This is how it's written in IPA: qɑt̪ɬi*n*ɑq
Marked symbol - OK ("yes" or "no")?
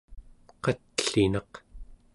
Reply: yes